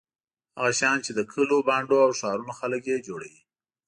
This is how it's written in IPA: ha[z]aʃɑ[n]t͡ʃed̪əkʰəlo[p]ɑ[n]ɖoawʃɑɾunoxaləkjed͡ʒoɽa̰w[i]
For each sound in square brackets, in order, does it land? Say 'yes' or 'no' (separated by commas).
no, yes, no, no, yes